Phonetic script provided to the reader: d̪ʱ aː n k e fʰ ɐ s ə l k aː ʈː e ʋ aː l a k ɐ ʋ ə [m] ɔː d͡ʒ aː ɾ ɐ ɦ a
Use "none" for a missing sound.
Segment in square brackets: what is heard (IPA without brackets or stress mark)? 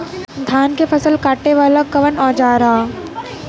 n